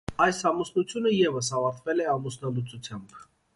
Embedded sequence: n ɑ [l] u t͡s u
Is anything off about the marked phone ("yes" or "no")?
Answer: no